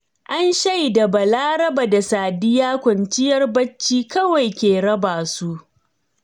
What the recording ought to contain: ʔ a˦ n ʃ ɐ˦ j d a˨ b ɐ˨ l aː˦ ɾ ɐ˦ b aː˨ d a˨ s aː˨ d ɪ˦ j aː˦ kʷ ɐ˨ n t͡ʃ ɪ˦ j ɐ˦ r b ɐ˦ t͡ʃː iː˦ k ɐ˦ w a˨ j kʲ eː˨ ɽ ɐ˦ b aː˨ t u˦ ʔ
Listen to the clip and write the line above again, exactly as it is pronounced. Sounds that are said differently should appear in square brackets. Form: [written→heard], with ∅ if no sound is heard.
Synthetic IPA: ʔ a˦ n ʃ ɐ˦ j d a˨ b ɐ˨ l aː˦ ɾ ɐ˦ b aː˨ d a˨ s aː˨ d ɪ˦ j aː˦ kʷ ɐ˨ n t͡ʃ ɪ˦ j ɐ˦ r b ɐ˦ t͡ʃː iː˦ k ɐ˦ w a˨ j kʲ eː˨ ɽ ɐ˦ b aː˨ [t→s] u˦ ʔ

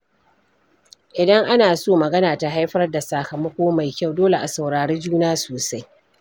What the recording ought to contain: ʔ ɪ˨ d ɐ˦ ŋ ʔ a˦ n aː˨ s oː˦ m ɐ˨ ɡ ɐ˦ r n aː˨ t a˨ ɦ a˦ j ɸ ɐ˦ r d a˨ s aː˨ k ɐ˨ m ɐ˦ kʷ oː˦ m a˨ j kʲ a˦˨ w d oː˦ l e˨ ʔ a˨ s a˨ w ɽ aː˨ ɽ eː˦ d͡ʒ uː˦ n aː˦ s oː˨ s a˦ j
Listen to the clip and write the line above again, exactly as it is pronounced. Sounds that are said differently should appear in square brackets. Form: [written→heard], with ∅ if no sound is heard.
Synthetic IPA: ʔ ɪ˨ d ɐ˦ ŋ ʔ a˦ n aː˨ s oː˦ m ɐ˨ ɡ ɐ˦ [r→∅] n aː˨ t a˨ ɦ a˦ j ɸ ɐ˦ r d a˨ s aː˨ k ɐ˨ m ɐ˦ kʷ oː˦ m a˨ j kʲ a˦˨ w d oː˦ l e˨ ʔ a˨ s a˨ w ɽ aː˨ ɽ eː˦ d͡ʒ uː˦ n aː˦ s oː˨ s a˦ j

